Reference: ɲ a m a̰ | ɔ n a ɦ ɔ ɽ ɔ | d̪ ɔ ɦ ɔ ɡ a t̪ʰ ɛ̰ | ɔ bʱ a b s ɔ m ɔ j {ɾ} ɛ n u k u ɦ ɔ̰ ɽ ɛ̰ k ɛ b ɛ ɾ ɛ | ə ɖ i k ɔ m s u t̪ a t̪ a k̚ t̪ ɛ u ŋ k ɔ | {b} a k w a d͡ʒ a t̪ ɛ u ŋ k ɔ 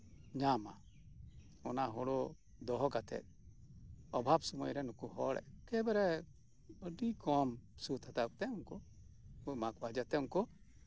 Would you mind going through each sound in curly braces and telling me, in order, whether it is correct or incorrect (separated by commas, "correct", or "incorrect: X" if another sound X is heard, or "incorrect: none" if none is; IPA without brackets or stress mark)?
correct, incorrect: m